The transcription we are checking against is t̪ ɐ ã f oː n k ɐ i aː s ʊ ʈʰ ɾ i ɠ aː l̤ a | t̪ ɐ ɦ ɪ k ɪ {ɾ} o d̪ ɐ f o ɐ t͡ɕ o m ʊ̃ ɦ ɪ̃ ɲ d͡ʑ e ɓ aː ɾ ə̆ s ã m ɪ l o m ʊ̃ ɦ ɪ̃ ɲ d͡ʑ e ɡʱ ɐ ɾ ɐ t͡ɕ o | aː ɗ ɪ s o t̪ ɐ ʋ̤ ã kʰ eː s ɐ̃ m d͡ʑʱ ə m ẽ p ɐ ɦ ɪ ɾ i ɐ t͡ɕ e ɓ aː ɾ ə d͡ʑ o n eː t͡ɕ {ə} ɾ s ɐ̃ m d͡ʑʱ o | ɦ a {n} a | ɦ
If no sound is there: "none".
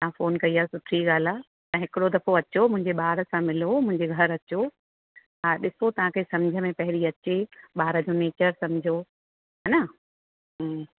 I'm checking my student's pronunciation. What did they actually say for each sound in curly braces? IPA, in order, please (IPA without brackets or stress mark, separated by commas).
ɽ, ə, n